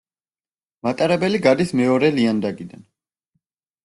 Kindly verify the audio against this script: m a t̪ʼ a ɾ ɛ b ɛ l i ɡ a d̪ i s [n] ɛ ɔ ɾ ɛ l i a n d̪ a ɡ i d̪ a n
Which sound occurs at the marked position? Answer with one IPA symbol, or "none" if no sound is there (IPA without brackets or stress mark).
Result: m